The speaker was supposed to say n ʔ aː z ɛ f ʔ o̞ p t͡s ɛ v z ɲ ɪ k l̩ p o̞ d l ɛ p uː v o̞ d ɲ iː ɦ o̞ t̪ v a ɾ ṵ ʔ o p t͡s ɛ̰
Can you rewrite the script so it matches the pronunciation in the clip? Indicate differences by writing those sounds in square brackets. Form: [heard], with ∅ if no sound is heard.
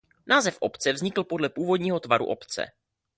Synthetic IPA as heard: n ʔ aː z ɛ f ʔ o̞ p t͡s ɛ v z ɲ ɪ k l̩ p o̞ d l ɛ p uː v o̞ d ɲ iː ɦ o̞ t̪ v a ɾ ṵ ʔ o p t͡s ɛ̰